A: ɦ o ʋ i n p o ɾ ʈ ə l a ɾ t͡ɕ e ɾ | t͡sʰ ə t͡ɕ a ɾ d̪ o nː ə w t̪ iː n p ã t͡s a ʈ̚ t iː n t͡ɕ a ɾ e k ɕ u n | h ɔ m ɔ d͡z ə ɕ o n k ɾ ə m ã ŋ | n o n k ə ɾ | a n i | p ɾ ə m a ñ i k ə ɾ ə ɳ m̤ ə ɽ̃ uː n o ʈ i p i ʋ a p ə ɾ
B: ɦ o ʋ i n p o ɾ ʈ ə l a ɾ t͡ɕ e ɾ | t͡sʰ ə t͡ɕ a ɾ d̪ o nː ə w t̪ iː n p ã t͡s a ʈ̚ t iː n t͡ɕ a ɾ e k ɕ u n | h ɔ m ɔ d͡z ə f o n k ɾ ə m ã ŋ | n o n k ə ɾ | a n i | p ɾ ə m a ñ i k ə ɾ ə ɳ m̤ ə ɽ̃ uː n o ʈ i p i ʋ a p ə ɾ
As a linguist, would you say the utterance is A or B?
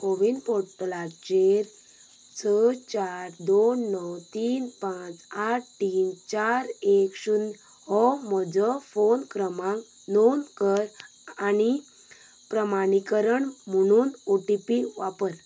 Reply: B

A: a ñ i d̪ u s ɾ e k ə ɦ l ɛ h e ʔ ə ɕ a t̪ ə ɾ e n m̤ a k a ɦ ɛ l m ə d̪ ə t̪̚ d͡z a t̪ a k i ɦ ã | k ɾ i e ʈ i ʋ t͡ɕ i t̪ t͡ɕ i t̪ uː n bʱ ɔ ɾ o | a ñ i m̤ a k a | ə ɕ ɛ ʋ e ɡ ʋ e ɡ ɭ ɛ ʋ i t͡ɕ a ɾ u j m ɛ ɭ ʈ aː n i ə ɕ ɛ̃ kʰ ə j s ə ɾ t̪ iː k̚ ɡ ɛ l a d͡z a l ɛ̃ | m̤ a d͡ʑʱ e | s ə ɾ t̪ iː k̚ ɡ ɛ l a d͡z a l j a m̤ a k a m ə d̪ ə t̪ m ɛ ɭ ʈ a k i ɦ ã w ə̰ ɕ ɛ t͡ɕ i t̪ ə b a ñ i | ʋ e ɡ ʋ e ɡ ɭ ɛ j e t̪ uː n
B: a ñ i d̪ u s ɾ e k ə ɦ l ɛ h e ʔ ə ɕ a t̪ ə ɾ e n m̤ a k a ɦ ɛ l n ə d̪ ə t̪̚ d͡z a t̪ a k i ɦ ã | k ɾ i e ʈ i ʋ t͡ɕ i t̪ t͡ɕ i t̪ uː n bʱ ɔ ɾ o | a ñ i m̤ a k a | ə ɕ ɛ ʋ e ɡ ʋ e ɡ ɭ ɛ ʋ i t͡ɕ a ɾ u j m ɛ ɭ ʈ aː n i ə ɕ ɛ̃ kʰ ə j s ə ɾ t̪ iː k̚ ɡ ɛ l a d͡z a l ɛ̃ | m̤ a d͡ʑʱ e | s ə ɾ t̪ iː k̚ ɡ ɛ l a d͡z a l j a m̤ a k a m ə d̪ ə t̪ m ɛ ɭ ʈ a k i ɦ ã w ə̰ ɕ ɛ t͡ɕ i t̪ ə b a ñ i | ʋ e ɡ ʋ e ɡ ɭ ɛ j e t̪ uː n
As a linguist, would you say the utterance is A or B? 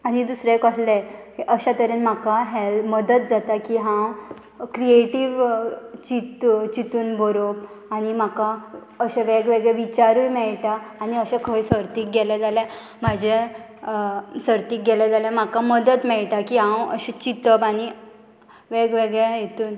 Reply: A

